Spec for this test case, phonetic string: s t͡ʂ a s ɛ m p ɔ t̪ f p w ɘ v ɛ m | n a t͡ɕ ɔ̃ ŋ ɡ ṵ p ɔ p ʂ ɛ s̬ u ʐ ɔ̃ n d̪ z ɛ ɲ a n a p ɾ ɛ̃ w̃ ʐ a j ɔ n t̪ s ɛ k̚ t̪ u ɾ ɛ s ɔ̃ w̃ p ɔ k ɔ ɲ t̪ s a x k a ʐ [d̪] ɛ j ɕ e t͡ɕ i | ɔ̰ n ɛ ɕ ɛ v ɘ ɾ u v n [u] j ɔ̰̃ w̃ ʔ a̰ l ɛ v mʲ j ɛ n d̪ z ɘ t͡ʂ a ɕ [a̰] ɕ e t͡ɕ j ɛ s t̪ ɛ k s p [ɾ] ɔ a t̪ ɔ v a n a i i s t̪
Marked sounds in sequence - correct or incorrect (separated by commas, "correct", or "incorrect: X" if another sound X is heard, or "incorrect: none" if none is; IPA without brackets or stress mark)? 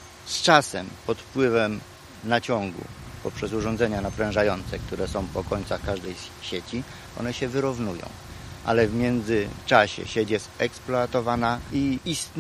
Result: correct, correct, incorrect: ɛ̰, incorrect: l